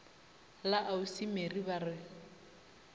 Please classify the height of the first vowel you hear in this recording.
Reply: low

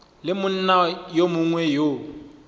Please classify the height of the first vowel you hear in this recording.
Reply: high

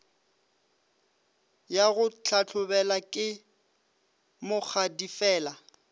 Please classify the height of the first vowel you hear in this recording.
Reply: low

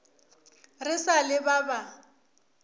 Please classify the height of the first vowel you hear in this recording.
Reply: high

